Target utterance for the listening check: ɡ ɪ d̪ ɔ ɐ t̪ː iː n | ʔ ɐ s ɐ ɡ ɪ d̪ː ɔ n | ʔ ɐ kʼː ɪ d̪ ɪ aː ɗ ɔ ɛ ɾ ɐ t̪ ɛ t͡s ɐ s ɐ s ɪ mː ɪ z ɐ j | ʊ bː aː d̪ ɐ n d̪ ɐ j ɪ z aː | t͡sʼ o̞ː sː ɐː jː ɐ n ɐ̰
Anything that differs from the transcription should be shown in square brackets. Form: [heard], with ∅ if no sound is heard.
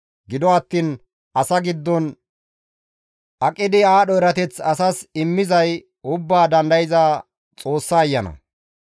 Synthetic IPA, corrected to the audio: ɡ ɪ d̪ ɔ ɐ t̪ː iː n | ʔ ɐ s ɐ ɡ ɪ d̪ː ɔ n | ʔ ɐ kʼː ɪ d̪ ɪ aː ɗ ɔ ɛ ɾ ɐ t̪ ɛ t͡s ɐ s ɐ s ɪ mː ɪ z ɐ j | ʊ bː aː d̪ ɐ n d̪ ɐ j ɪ z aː | t͡sʼ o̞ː sː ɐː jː ɐ n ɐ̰